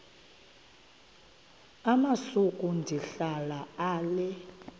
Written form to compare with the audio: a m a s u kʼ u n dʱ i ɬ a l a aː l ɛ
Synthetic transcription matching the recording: a m a s u kʼ u n dʱ i ɬ a l a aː l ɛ